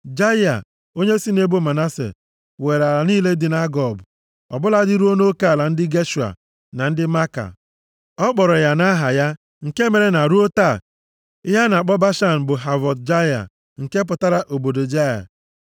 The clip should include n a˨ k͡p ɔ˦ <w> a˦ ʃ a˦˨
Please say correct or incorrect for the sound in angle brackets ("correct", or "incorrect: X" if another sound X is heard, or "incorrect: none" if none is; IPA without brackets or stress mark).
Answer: incorrect: b